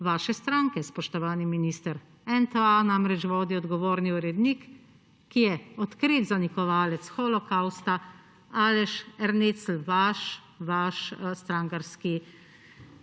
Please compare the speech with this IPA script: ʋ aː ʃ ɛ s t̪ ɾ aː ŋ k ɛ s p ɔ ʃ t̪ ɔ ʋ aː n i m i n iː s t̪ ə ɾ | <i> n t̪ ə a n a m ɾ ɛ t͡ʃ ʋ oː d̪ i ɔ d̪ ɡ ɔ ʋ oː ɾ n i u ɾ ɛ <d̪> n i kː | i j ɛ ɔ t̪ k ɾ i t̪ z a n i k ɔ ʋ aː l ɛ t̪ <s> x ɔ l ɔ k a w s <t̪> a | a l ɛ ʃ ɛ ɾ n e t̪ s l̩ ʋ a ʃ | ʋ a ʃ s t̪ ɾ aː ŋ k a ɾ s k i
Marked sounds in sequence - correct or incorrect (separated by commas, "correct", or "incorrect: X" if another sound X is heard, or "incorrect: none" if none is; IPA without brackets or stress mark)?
incorrect: ɛ, correct, correct, correct